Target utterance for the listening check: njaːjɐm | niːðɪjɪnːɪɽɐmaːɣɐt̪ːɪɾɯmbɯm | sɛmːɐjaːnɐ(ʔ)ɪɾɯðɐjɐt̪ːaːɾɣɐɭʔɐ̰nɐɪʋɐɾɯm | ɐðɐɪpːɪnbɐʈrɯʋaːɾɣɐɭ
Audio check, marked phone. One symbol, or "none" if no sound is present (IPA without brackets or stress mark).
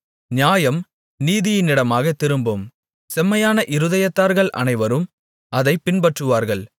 ʔ